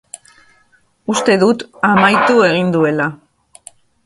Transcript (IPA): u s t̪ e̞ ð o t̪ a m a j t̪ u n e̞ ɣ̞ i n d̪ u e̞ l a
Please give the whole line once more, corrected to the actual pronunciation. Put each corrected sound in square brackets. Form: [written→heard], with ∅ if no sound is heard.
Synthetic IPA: u s t̪ e̞ ð [o→u] t̪ a m a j t̪ u [n→∅] e̞ ɣ̞ i n d̪ u e̞ l a